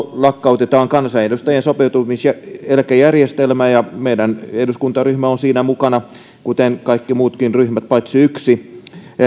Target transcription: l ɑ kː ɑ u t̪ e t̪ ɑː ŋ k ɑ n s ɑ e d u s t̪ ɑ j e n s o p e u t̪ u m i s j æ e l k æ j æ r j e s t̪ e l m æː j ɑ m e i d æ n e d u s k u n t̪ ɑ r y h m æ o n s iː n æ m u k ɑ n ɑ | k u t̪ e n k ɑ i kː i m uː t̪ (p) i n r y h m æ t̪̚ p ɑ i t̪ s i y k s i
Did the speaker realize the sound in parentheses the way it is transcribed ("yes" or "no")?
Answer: no